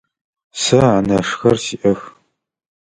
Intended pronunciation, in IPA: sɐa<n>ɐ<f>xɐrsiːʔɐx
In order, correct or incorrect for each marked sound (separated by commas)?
correct, incorrect